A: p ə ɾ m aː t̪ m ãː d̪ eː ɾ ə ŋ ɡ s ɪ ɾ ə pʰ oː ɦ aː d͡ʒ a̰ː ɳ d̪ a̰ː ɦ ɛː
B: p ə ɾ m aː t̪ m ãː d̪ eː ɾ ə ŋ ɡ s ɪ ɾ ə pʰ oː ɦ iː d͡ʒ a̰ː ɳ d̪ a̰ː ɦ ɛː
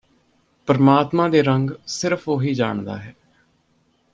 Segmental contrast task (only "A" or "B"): B